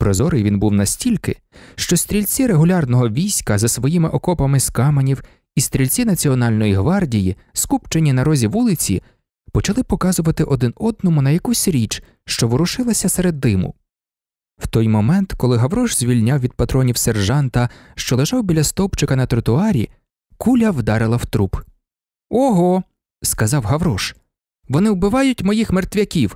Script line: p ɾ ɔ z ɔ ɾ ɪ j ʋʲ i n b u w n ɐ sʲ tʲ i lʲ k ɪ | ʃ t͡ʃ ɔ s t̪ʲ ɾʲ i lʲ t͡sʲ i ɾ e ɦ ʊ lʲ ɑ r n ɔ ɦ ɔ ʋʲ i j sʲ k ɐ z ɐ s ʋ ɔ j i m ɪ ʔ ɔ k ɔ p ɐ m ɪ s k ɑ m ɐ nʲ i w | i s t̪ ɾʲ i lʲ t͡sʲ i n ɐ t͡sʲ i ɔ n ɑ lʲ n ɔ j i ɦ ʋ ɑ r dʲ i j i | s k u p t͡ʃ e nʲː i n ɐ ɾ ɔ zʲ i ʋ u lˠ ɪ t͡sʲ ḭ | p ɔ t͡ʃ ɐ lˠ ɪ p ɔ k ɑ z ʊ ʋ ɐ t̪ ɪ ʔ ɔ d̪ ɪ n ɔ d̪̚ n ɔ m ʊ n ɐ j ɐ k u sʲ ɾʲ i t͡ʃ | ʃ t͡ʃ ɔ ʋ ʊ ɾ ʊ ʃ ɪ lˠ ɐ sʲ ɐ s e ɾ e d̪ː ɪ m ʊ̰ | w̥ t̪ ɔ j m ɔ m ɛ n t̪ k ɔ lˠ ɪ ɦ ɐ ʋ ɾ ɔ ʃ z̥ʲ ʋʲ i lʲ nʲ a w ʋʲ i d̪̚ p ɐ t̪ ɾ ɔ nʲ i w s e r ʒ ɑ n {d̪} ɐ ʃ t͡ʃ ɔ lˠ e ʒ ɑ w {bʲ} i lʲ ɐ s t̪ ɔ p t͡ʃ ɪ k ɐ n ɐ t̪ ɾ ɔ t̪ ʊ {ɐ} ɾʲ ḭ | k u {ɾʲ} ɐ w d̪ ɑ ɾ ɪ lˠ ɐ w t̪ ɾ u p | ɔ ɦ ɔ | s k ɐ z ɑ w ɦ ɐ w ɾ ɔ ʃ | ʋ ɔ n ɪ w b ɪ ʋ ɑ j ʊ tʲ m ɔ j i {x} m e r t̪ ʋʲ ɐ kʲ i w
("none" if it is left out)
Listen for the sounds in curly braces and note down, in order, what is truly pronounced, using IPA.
t̪, bʲ, ɑ, lʲ, x

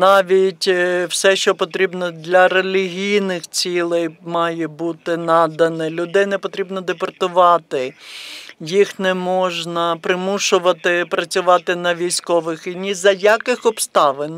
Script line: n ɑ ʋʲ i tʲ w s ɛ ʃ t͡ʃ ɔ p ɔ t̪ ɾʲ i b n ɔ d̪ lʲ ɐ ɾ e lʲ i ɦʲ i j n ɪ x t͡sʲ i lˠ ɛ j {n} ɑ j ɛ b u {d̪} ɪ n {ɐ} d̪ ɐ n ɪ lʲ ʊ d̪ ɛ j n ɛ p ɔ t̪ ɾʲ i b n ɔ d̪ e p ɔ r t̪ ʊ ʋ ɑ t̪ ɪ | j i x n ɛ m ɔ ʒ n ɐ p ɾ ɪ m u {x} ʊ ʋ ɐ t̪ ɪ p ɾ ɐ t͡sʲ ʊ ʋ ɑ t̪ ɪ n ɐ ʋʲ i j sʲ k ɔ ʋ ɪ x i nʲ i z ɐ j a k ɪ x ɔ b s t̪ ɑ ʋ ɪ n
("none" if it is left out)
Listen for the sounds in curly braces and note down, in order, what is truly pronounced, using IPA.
m, t̪, ɑ, ʃ

